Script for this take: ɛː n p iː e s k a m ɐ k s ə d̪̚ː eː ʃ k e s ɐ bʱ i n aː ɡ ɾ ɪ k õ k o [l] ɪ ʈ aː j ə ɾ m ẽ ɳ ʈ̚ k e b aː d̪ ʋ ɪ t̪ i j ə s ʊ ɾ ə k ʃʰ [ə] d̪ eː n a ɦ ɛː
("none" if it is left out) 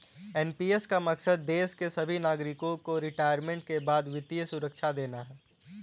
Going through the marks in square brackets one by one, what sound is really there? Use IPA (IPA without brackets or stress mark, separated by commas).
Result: ɾ, a